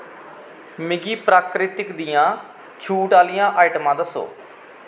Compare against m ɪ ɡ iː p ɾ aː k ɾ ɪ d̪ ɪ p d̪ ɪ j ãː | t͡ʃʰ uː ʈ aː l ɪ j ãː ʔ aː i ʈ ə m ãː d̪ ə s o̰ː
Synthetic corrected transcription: m ɪ ɡ iː p ɾ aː k ɾ ɪ t̪ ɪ k d̪ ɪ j ãː | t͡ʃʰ uː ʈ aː l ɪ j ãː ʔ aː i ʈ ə m ãː d̪ ə s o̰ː